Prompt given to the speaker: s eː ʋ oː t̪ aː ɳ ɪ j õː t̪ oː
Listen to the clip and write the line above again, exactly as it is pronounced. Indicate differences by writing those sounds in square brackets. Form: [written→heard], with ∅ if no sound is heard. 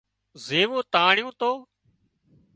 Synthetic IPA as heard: [s→z] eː ʋ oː t̪ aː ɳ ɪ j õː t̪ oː